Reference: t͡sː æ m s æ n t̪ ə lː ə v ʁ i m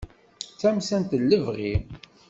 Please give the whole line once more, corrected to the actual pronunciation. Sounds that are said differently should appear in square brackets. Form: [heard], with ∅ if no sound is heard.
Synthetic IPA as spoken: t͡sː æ m s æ n t̪ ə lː ə v ʁ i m